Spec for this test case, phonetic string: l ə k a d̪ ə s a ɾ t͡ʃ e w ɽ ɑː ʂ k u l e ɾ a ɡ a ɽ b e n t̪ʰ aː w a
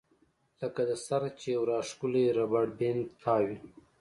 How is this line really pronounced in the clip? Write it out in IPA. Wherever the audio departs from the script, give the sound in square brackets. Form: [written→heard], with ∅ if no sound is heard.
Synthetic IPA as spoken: l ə k a d̪ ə s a ɾ t͡ʃ e w [ɽ→ɾ] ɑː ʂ k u l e ɾ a [ɡ→b] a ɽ b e n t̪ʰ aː w [a→i]

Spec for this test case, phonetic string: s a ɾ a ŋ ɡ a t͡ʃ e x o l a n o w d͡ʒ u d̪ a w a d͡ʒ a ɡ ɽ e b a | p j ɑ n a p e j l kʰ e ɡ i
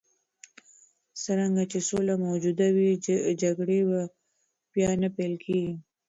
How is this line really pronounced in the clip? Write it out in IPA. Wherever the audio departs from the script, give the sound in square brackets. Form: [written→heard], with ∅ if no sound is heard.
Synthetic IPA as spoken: s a ɾ a ŋ ɡ a t͡ʃ e [x→s] o l a [n→m] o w d͡ʒ u d̪ a w [a→i] d͡ʒ a ɡ ɽ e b a | p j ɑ n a p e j l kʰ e ɡ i

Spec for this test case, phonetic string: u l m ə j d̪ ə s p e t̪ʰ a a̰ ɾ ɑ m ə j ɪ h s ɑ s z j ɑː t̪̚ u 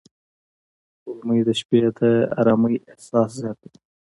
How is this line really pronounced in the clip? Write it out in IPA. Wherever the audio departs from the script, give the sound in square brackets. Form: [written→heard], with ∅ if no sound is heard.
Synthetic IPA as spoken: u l m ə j d̪ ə [s→ʃ] p e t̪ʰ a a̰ ɾ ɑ m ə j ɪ h s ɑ s z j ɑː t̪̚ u

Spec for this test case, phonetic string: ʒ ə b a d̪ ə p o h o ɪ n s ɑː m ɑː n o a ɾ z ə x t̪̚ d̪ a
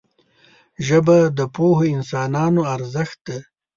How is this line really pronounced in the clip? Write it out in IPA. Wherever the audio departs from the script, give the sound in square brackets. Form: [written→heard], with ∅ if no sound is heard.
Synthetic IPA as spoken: ʒ ə b a d̪ ə p o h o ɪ n s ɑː [m→n] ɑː n o a ɾ z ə x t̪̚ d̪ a

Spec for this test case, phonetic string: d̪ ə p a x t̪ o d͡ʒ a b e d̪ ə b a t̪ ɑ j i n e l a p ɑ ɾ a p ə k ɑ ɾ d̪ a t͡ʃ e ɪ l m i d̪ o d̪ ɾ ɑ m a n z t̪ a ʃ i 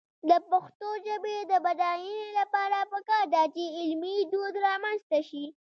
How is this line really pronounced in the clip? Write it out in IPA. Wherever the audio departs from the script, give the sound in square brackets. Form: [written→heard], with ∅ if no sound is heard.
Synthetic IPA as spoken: d̪ ə p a x t̪ o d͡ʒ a b e d̪ ə b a [t̪→d̪] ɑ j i n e l a p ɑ ɾ a p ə k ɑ ɾ d̪ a t͡ʃ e ɪ l m i d̪ o d̪ ɾ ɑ m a n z t̪ a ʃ i

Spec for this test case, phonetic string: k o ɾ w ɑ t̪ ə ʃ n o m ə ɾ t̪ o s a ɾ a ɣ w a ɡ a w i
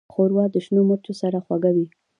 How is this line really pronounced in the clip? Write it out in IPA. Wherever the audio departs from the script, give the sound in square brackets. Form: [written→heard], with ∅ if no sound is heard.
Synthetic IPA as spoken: [k→x] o ɾ w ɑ [t̪→d̪] ə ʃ n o m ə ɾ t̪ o s a ɾ a [ɣ→x] w a ɡ a w i

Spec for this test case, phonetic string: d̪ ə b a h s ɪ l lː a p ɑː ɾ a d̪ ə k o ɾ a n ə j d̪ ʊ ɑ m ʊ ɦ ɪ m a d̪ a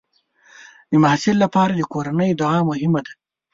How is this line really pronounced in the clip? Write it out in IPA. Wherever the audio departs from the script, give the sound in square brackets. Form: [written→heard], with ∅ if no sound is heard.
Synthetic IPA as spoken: d̪ ə [b→m] a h s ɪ l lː a p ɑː ɾ a d̪ ə k o ɾ a n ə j d̪ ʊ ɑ m ʊ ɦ ɪ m a d̪ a

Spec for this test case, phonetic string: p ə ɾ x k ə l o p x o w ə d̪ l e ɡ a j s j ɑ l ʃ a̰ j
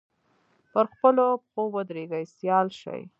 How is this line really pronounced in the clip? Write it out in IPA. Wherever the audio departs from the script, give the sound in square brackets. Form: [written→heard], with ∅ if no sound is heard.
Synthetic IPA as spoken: p ə ɾ x [k→p] ə l o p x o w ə d̪ [l→ɾ] e ɡ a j s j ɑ l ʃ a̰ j

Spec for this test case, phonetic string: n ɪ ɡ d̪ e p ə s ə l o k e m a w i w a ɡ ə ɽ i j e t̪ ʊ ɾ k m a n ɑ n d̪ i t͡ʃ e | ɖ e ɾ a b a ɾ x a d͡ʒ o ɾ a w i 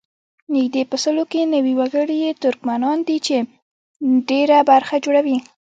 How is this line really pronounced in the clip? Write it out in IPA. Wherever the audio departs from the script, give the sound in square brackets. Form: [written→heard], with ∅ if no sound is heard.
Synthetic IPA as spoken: n ɪ ɡ d̪ e p ə s ə l o k e [m→n] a w i w a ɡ ə ɽ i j e t̪ ʊ ɾ k m a n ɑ n d̪ i t͡ʃ e | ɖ e ɾ a b a ɾ x a d͡ʒ o [ɾ→ɽ] a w i

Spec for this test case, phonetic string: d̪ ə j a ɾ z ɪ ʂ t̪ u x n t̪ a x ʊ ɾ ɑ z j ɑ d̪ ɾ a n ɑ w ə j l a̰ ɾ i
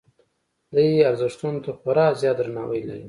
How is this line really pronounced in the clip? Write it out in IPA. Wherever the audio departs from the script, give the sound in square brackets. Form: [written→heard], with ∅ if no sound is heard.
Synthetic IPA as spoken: d̪ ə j a ɾ z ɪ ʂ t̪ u [x→∅] n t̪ a x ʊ ɾ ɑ z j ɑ d̪ ɾ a n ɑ w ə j l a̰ ɾ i

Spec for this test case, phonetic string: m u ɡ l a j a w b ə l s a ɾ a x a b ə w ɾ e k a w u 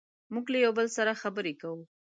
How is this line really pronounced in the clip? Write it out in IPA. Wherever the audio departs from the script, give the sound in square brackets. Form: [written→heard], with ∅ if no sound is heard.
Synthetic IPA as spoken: m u ɡ l a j a w b ə l s a ɾ a x a b ə [w→∅] ɾ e k a w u

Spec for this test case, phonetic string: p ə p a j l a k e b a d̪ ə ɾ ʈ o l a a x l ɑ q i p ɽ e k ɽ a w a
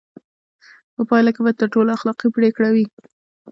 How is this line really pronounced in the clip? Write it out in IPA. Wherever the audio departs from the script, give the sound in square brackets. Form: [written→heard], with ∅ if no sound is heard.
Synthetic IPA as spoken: p ə p [a→ɑ] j l a k e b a [d̪→t̪] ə ɾ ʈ o l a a x l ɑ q i p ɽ e k ɽ a w [a→i]

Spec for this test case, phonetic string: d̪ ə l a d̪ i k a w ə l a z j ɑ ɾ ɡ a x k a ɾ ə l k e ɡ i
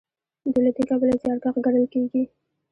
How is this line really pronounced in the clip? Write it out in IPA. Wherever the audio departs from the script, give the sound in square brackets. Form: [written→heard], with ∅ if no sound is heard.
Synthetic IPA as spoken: d̪ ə l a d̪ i k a [w→b] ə l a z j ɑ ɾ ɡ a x [k→ɡ] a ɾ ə l k e ɡ i

